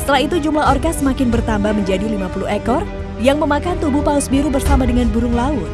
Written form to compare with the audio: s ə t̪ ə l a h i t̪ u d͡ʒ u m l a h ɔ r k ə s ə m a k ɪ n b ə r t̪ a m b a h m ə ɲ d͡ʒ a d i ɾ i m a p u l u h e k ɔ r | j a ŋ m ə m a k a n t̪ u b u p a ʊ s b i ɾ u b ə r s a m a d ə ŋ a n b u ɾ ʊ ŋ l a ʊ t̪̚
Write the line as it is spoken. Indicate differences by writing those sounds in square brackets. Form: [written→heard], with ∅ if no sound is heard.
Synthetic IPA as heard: s ə t̪ ə l a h i t̪ u d͡ʒ u m l a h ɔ r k [ə→a] s ə m a k ɪ n b ə r t̪ a m b a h m ə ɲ d͡ʒ a d i [ɾ→l] i m a p u l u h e k ɔ r | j a ŋ m ə m a k a n t̪ u b u p a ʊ s b i ɾ u b ə r s a m a d ə ŋ a n b u ɾ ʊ ŋ l a ʊ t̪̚